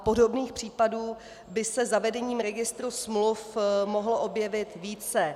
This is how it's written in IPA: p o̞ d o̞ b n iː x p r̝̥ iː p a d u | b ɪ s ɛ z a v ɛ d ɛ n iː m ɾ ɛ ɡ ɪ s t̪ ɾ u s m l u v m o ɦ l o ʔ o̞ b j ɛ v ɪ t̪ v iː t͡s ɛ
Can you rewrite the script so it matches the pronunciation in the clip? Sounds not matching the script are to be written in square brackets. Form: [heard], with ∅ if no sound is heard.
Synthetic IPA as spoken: p o̞ d o̞ b n iː x p r̝̥ iː p a d [uː] | b ɪ s ɛ z a v ɛ d ɛ [ɲ] iː m ɾ ɛ ɡ ɪ s t̪ ɾ u s m l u [f] m o ɦ l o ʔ o̞ b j ɛ v ɪ t̪ v iː t͡s ɛ